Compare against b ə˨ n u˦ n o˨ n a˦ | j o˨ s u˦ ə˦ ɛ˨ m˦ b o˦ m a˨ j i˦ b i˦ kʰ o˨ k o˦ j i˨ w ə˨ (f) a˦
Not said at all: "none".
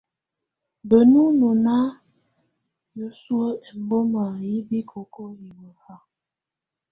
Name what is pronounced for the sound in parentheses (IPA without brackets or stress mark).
h